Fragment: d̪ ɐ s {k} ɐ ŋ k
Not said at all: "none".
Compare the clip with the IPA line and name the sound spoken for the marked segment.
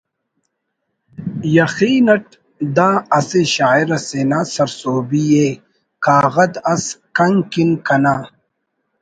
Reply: k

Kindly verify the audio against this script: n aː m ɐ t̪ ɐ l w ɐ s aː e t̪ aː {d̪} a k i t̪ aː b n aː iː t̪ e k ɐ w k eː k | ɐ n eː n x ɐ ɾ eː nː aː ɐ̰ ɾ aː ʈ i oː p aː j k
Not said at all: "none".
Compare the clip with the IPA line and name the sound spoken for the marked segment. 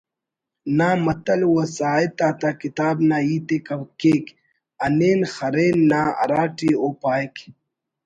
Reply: t̪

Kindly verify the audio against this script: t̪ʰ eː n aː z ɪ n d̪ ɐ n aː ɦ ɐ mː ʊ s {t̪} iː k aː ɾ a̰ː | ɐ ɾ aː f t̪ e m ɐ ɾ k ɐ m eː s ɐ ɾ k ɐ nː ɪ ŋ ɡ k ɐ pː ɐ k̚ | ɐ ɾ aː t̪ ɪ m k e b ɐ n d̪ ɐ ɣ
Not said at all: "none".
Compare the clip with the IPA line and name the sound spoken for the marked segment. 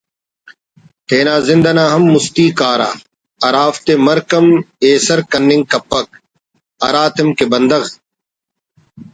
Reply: t̪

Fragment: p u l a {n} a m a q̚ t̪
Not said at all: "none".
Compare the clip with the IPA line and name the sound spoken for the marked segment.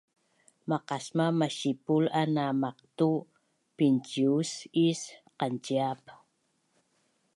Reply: n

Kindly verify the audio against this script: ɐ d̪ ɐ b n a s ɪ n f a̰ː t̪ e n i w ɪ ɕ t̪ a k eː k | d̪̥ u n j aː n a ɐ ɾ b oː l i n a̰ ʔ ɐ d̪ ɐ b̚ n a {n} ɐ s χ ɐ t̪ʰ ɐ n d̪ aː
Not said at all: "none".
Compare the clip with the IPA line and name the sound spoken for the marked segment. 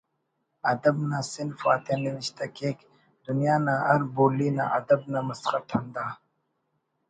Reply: m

